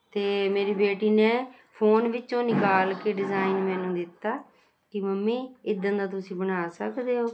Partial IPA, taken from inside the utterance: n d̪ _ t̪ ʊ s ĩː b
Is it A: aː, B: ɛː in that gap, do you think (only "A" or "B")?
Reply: A